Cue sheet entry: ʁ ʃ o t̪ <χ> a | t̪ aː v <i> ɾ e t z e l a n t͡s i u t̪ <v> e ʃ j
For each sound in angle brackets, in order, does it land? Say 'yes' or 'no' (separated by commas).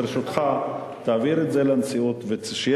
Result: yes, yes, yes